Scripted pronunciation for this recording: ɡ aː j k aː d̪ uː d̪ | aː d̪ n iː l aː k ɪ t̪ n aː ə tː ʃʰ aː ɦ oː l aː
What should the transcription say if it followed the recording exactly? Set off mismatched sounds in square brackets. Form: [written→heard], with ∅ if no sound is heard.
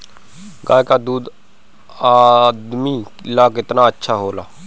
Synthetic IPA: ɡ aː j k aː d̪ uː d̪ | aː d̪ [n→m] iː l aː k ɪ t̪ n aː ə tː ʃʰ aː ɦ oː l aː